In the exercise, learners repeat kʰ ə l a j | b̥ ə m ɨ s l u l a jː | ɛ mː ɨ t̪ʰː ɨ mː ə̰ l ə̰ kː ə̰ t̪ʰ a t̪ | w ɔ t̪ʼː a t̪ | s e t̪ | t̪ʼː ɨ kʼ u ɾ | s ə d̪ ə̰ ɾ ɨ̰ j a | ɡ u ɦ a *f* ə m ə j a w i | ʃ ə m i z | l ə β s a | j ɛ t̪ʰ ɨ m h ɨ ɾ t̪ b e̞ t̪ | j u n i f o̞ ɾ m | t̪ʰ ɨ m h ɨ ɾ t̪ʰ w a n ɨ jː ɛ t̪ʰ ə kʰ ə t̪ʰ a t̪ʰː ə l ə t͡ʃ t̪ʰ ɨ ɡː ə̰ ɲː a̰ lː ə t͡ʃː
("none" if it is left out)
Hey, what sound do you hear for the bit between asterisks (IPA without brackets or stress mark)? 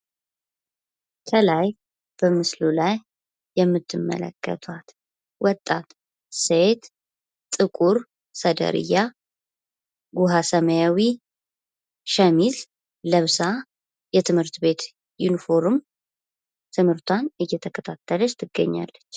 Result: s